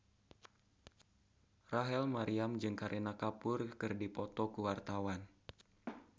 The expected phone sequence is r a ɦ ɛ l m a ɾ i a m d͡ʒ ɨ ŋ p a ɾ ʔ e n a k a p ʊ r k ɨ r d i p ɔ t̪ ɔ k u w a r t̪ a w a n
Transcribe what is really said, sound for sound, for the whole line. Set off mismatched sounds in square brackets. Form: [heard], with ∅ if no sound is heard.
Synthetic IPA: r a ɦ ɛ l m a ɾ i a m d͡ʒ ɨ ŋ [k] a ɾ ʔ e n a k a p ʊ r k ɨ r d i p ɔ t̪ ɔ k u w a r t̪ a w a n